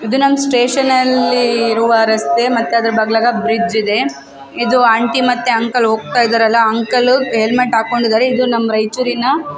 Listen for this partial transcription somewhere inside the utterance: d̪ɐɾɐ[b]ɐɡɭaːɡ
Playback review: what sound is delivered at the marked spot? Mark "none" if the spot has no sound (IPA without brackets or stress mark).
b